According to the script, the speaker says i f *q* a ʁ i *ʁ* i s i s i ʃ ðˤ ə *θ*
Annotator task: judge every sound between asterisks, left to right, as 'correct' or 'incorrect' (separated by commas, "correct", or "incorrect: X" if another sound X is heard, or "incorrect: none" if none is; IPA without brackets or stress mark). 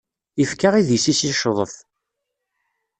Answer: incorrect: k, incorrect: ð, correct